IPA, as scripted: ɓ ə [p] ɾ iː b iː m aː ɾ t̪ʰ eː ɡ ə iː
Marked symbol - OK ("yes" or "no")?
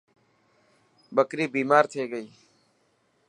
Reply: no